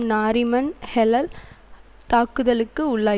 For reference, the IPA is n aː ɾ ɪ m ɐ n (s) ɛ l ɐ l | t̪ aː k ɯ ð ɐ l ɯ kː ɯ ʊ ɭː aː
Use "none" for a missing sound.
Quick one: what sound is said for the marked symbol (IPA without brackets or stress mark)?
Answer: h